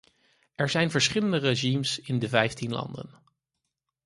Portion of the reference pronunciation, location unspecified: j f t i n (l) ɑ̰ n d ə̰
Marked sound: correct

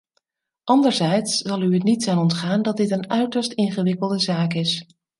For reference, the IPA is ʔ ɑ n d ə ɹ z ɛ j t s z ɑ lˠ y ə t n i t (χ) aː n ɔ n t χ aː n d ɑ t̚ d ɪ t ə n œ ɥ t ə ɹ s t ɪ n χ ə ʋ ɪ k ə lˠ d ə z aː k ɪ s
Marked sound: incorrect: s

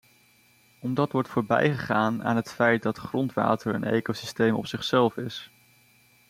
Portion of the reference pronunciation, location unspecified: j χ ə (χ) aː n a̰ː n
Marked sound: correct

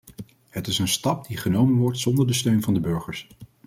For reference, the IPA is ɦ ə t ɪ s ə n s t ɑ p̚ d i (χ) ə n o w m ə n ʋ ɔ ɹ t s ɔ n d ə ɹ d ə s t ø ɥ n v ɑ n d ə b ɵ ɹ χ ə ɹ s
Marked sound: correct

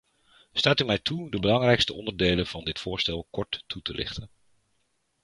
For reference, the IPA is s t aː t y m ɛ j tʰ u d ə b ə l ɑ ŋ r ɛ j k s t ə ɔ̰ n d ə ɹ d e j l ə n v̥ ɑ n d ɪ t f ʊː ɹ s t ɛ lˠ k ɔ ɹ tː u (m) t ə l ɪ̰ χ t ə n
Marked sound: incorrect: none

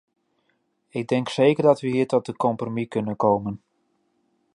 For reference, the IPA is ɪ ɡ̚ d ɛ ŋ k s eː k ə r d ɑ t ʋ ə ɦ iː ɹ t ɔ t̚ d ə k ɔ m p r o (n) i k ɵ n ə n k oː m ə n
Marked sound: incorrect: m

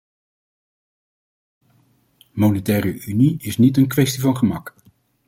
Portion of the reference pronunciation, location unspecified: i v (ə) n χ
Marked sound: incorrect: ɑ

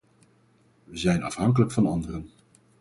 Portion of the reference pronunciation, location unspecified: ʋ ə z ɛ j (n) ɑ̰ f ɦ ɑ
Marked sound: correct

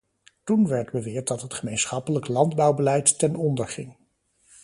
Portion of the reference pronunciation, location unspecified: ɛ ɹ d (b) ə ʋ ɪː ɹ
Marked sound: correct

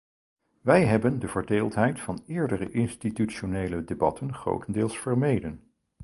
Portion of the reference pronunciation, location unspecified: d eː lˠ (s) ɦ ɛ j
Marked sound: incorrect: t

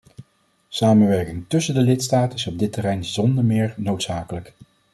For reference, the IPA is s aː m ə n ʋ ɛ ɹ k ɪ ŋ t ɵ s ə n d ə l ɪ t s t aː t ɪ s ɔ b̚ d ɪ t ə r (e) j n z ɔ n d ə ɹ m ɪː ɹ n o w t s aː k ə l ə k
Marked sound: incorrect: ɛ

